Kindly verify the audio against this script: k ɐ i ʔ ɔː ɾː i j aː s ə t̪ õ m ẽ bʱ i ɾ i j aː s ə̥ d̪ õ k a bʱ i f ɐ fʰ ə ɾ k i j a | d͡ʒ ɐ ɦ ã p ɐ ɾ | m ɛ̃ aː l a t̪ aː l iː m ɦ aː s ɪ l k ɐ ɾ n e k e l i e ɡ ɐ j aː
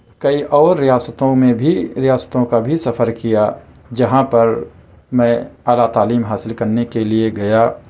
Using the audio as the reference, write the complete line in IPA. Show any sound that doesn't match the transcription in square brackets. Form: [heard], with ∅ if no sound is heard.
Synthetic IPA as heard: k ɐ i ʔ ɔː ɾː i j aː s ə t̪ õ m ẽ bʱ i ɾ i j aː s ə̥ [t̪] õ k a bʱ i [s] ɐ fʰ ə ɾ k i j a | d͡ʒ ɐ ɦ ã p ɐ ɾ | m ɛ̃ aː l a t̪ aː l iː m ɦ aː s ɪ l k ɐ ɾ n e k e l i e ɡ ɐ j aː

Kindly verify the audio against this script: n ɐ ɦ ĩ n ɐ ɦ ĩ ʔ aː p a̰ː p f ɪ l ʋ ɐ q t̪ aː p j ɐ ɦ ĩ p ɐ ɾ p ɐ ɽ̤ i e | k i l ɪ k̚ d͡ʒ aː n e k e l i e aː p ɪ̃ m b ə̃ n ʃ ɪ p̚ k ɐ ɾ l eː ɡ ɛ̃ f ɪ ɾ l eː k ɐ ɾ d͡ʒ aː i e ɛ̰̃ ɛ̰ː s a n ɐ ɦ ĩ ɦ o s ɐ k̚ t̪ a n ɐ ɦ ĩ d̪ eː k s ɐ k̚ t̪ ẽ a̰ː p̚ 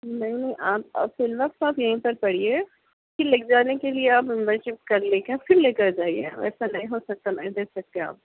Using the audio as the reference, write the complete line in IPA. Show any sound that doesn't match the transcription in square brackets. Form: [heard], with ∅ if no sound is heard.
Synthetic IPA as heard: n ɐ ɦ ĩ n ɐ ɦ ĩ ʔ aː p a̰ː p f ɪ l ʋ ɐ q t̪ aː p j ɐ ɦ ĩ p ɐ ɾ p ɐ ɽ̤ i e | k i l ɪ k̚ d͡ʒ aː n e k e l i e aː p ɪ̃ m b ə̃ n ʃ ɪ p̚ k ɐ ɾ l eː [k] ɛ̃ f ɪ ɾ l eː k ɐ ɾ d͡ʒ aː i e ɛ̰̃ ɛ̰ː s a n ɐ ɦ ĩ ɦ o s ɐ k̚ t̪ a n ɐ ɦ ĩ d̪ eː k s ɐ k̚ t̪ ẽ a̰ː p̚

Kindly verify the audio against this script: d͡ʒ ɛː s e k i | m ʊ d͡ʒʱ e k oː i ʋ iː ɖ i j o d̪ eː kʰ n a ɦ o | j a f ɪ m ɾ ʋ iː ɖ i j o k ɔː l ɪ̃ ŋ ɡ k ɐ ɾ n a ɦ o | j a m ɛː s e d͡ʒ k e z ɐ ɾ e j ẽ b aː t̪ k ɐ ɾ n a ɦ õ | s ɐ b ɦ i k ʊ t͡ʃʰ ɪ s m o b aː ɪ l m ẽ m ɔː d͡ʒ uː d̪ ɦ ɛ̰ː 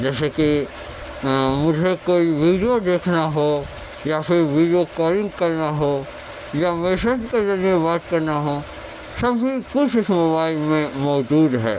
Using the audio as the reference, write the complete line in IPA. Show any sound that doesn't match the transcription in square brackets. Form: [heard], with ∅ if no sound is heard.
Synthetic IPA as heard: d͡ʒ ɛː s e k i | m ʊ d͡ʒʱ e k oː i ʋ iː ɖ i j o d̪ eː kʰ n a ɦ o | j a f ɪ [∅] ɾ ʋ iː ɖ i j o k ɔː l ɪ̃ ŋ ɡ k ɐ ɾ n a ɦ o | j a m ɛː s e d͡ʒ k e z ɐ ɾ [i] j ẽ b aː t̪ k ɐ ɾ n a ɦ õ | s ɐ b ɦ i k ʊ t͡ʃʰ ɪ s m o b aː ɪ l m ẽ m ɔː d͡ʒ uː d̪ ɦ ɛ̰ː

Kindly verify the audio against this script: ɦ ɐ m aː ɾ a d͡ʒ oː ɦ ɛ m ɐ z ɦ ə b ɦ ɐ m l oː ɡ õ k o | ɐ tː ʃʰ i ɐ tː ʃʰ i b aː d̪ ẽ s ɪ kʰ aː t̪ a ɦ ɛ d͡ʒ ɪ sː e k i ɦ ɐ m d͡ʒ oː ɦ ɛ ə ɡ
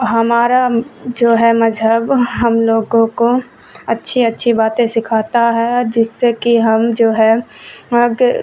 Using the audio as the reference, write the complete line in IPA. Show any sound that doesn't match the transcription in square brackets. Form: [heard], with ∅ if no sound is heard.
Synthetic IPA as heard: ɦ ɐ m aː ɾ a d͡ʒ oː ɦ ɛ m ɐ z ɦ ə b ɦ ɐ m l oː ɡ õ k o | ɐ tː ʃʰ i ɐ tː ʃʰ i b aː [t̪] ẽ s ɪ kʰ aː t̪ a ɦ ɛ d͡ʒ ɪ sː e k i ɦ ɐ m d͡ʒ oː ɦ ɛ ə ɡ

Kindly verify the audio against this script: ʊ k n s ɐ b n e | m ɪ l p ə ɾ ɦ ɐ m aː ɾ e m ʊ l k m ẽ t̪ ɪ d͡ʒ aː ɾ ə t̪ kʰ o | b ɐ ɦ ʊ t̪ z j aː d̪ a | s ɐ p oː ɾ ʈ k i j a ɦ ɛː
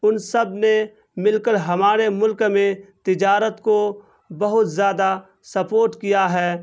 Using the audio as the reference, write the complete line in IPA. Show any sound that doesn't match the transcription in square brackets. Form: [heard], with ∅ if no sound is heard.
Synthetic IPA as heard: ʊ [∅] n s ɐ b n e | m ɪ l [k] ə ɾ ɦ ɐ m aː ɾ e m ʊ l k m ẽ t̪ ɪ d͡ʒ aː ɾ ə t̪ [k] o | b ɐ ɦ ʊ t̪ z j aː d̪ a | s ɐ p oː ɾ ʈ k i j a ɦ ɛː

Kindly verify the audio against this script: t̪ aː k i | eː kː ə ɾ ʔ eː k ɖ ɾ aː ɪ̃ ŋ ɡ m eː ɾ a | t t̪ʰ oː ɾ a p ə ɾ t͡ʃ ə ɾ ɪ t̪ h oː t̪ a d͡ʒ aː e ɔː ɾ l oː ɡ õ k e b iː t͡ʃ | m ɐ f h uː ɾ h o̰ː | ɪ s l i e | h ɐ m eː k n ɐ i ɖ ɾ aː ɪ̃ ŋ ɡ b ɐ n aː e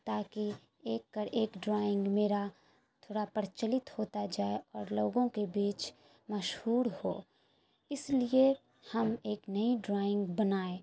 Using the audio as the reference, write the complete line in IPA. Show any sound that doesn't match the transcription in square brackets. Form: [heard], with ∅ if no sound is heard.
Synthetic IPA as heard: t̪ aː k i | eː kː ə ɾ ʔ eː k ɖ ɾ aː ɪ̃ ŋ ɡ m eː ɾ a | t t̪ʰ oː [ɽ] a p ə ɾ t͡ʃ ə [l] ɪ t̪ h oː t̪ a d͡ʒ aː e ɔː ɾ l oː ɡ õ k e b iː t͡ʃ | m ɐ [ʃ] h uː ɾ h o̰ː | ɪ s l i e | h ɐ m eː k n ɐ i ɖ ɾ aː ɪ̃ ŋ ɡ b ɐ n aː e

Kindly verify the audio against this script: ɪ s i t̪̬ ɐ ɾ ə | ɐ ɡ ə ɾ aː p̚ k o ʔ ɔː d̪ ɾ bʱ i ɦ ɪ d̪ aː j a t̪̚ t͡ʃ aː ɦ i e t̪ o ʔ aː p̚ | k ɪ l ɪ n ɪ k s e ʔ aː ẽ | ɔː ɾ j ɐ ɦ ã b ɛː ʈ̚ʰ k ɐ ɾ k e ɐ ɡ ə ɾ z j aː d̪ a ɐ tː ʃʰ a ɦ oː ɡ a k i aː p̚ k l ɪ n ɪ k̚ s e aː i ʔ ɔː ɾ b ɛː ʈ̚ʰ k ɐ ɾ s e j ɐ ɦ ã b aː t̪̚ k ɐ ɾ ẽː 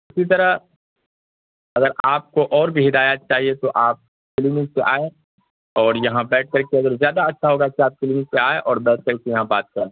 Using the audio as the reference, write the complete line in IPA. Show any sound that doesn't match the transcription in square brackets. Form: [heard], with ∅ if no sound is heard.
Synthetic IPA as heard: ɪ s i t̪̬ ɐ ɾ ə | ɐ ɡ ə ɾ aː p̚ k o ʔ ɔː [∅] ɾ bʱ i ɦ ɪ d̪ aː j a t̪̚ t͡ʃ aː ɦ i e t̪ o ʔ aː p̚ | k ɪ l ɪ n ɪ k s e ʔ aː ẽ | ɔː ɾ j ɐ ɦ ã b ɛː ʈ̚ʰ k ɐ ɾ k e ɐ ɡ ə ɾ z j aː d̪ a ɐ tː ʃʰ a ɦ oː ɡ a k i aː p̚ k l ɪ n ɪ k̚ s e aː [e] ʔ ɔː ɾ b ɛː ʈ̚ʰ k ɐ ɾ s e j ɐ ɦ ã b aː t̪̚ k ɐ ɾ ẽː

